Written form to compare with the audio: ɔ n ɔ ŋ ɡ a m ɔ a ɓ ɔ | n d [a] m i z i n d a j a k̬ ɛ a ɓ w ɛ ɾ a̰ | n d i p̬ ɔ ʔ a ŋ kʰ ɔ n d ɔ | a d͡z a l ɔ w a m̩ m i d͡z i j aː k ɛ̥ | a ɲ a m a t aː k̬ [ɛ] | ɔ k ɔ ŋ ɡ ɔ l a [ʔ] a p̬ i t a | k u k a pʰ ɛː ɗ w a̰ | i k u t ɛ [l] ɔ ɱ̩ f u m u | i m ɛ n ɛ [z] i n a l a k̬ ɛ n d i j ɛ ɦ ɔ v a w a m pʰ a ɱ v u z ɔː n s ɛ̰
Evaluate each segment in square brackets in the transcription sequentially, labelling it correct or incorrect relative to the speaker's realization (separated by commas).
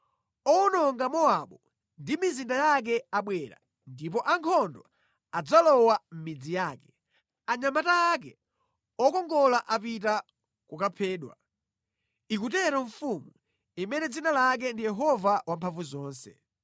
incorrect, correct, correct, incorrect, incorrect